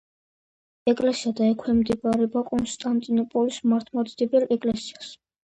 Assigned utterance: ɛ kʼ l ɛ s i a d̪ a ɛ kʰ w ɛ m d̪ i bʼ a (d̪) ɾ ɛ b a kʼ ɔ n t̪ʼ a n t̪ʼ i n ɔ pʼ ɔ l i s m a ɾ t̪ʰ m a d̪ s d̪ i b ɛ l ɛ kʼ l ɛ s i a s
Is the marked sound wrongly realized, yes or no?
yes